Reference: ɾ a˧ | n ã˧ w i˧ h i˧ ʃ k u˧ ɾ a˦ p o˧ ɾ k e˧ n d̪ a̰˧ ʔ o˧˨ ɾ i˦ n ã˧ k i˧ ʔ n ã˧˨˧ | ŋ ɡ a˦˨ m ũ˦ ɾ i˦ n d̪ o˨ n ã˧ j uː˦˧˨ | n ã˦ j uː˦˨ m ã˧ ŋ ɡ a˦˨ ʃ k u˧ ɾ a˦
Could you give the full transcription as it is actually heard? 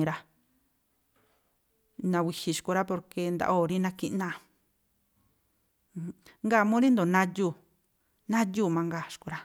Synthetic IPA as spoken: ɾ a˧ | n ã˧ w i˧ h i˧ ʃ k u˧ ɾ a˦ p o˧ ɾ k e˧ n d̪ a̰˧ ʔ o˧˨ ɾ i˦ n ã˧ k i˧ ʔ n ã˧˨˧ | ŋ ɡ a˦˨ m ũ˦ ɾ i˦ n d̪ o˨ n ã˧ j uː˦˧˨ | n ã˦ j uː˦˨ m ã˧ ŋ ɡ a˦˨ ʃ k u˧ ɾ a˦